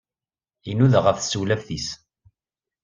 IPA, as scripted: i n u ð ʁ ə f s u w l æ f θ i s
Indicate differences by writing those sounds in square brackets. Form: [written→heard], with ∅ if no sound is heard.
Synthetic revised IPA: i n u ð ʁ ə f s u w l æ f θ i s